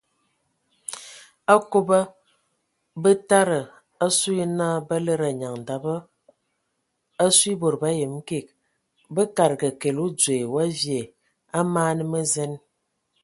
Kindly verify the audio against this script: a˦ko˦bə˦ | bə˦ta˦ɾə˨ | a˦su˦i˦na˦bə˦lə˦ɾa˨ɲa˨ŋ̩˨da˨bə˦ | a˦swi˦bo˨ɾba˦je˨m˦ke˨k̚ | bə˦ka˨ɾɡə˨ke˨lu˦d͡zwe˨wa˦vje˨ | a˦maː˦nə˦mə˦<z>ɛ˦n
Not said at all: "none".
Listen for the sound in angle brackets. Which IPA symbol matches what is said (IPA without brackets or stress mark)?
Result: z